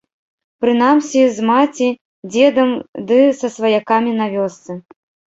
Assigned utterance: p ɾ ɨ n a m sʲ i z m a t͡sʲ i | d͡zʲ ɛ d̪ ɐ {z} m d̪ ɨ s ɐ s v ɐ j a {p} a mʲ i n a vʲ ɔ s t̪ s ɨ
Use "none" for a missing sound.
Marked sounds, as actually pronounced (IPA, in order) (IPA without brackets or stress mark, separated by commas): none, k